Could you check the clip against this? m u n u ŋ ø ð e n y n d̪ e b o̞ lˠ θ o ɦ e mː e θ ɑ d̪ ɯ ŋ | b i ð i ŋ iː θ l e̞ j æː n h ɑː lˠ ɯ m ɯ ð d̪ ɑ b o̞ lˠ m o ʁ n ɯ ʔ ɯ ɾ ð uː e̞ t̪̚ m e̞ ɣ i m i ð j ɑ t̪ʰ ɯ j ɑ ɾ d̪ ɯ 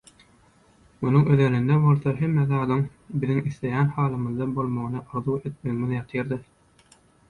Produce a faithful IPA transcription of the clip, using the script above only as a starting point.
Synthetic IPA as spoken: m u n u ŋ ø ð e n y n d̪ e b o̞ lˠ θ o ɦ e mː e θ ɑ d̪ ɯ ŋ | b i ð i ŋ i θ l e̞ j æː n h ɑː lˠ ɯ m ɯ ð d̪ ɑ b o̞ lˠ m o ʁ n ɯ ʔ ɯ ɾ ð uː e̞ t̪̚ m e̞ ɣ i m i ð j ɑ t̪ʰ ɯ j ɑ ɾ d̪ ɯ